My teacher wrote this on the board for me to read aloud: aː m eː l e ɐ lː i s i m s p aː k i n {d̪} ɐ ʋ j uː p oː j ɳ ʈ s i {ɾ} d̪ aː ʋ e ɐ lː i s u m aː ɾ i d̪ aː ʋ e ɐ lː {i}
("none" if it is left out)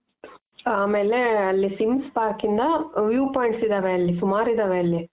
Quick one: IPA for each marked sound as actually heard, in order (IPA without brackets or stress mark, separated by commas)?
d̪, none, i